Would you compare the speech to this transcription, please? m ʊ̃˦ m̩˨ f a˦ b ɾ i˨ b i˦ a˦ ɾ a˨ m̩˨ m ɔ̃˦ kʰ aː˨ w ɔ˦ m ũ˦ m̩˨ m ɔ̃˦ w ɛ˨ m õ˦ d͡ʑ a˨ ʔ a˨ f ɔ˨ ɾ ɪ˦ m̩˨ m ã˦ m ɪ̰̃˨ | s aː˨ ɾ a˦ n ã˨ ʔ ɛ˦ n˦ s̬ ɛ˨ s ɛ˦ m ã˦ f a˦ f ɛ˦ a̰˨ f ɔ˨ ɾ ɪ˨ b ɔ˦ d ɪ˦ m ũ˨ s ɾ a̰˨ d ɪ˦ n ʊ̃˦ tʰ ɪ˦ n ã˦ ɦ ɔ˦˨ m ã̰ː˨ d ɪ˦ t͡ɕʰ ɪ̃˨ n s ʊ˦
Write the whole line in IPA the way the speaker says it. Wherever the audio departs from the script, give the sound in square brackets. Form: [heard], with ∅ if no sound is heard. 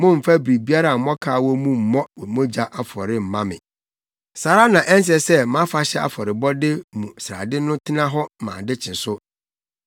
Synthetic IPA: m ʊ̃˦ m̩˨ f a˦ b ɾ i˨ b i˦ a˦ ɾ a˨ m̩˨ m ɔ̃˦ kʰ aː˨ w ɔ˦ m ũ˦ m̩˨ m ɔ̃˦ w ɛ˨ m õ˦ d͡ʑ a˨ ʔ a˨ f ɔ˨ ɾ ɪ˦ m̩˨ m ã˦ m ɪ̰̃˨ | s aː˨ ɾ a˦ n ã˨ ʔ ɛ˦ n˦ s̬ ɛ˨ s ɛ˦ m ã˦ f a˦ [ɕ] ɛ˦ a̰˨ f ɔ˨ ɾ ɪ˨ b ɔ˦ d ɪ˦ m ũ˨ s ɾ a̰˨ d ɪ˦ n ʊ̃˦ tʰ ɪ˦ n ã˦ ɦ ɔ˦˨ m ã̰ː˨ d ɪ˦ t͡ɕʰ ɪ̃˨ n s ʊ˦